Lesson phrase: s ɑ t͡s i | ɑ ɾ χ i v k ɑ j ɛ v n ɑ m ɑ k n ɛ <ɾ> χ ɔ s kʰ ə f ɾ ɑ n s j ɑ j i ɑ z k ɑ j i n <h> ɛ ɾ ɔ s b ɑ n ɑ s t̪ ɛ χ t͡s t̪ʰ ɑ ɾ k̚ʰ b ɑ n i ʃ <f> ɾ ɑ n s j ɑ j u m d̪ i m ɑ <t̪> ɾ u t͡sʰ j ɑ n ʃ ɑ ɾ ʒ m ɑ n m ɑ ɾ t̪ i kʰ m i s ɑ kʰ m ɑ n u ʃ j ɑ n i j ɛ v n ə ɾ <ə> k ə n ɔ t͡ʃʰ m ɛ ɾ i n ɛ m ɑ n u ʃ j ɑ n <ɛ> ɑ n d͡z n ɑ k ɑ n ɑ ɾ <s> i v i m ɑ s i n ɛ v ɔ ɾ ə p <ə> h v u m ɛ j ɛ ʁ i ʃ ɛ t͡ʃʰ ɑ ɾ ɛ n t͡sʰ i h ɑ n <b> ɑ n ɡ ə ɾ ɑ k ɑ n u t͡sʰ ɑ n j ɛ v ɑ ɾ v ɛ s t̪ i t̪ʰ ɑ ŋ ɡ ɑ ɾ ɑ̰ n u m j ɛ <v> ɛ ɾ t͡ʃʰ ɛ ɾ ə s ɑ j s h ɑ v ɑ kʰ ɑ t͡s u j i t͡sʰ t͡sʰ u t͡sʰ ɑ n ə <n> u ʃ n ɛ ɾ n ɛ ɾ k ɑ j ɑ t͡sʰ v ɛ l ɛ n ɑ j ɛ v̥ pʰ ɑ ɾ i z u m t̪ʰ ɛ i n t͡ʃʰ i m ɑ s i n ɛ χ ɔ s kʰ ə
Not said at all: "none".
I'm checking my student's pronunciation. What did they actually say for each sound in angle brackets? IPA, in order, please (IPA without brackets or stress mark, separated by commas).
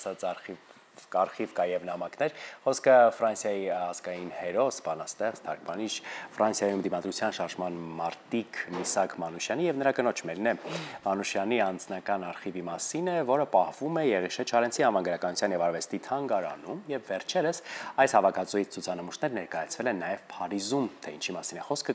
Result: ɾ, h, f, d̪, ɑ, i, χ, ɑ, v, vː, m